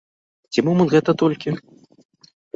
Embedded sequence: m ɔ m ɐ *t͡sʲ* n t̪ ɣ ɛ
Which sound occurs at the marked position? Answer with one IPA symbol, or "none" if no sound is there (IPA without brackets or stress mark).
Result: none